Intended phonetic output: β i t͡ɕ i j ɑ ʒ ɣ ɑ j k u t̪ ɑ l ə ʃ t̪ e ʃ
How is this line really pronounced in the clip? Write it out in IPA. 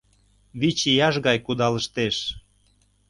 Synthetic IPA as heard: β i t͡ɕ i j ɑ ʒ ɣ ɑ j k u d̪ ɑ l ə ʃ t̪ e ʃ